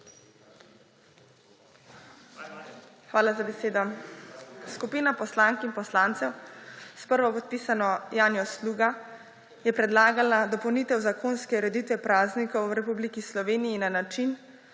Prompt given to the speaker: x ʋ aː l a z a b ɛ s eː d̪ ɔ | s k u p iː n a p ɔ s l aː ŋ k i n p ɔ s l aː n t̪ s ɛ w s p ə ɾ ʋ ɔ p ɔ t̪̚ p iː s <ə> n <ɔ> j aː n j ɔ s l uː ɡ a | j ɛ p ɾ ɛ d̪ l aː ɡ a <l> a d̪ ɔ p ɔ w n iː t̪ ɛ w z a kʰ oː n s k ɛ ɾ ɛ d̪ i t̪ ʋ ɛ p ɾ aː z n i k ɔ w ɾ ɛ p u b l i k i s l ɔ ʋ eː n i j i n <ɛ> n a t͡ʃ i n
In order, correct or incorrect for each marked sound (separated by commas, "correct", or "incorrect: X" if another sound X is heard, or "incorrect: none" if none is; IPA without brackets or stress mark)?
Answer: incorrect: a, correct, correct, incorrect: a